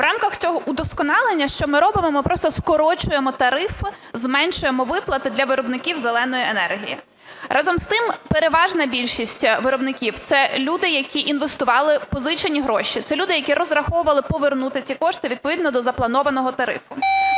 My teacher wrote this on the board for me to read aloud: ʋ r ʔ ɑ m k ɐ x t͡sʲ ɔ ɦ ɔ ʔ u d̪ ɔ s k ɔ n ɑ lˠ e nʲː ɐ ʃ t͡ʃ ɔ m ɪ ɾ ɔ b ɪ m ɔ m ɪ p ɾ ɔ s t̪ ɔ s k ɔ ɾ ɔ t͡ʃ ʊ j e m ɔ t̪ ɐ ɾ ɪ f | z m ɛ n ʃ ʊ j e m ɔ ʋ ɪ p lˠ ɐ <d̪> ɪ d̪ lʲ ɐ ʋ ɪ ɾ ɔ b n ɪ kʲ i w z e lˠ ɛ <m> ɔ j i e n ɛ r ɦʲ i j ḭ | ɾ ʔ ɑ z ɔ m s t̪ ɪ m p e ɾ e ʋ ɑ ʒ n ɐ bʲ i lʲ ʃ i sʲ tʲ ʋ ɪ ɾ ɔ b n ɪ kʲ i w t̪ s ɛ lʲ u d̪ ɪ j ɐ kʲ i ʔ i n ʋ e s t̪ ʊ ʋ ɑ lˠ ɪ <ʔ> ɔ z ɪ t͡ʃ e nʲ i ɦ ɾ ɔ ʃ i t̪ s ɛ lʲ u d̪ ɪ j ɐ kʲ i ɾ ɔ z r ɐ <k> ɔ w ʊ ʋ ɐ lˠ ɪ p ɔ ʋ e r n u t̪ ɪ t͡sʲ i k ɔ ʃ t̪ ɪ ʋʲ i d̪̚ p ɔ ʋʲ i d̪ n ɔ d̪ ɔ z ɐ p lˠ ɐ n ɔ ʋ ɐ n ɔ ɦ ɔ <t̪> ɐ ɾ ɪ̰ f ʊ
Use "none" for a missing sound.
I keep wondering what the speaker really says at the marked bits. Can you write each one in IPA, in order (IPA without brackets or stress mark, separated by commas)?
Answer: t̪, n, p, x, t̪